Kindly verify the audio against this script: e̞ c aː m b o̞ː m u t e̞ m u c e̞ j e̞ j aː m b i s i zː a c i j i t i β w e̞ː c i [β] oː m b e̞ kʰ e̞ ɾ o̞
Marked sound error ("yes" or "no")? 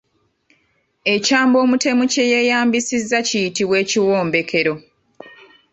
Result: yes